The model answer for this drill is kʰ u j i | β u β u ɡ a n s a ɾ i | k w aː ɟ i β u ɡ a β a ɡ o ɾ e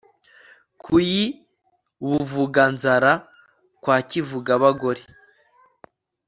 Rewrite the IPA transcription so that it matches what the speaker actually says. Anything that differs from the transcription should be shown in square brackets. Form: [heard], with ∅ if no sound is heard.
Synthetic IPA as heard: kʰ u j i | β u [v] u ɡ a n [z] a ɾ [a] | k w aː [c] i [v] u ɡ a β a ɡ o ɾ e